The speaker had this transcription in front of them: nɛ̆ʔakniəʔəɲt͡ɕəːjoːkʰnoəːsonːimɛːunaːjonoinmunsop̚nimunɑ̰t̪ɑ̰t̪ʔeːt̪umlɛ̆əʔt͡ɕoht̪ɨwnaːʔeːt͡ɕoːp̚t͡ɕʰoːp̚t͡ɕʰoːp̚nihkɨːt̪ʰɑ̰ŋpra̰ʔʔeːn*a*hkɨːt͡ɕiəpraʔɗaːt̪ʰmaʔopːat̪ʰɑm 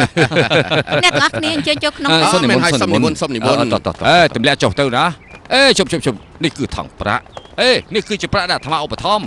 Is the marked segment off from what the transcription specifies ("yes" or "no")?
yes